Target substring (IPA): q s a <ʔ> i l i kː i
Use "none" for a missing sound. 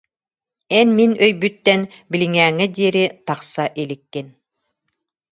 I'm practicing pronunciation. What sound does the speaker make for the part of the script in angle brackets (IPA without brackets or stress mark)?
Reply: ʔ